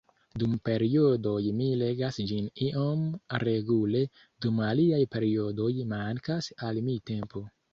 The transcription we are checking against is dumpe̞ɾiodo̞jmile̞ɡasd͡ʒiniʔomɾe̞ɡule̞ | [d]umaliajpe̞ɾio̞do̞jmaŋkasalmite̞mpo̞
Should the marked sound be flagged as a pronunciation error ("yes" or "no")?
no